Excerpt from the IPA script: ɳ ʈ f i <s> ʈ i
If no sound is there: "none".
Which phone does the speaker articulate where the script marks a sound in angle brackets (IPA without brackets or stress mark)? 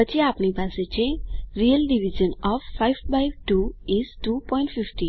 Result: f